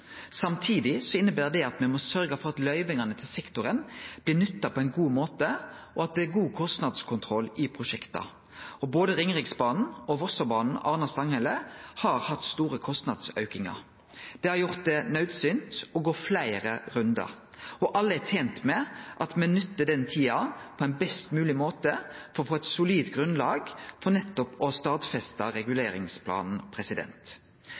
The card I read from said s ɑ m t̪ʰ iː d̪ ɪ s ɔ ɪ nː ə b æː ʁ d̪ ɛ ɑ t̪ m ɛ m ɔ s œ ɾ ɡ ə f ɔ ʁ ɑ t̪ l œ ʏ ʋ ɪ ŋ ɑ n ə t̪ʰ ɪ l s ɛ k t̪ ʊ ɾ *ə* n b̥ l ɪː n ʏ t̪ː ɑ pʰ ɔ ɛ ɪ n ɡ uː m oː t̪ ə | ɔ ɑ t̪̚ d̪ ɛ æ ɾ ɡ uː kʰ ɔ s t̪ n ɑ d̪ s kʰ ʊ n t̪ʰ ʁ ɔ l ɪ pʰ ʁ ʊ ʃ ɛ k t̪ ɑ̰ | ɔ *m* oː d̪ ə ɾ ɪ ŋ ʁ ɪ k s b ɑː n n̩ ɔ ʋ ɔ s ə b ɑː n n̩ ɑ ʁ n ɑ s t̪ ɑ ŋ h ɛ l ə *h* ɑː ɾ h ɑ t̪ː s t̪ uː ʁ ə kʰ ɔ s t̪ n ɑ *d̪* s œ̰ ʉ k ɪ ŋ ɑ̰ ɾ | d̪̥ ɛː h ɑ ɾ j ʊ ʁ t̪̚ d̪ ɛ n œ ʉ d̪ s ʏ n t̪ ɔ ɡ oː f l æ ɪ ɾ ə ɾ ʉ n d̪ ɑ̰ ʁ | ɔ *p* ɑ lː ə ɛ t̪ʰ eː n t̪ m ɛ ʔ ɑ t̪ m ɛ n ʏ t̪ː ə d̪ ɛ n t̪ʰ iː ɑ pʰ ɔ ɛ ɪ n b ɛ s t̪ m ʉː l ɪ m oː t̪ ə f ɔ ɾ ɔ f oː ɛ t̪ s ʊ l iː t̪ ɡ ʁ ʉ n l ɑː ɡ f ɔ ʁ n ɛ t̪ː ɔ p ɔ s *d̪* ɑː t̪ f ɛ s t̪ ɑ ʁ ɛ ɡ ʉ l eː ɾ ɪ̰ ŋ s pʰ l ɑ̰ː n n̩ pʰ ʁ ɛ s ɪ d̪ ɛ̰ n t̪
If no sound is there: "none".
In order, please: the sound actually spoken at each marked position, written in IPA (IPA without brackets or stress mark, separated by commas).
ə, b, h, d̪, ʔ, t̪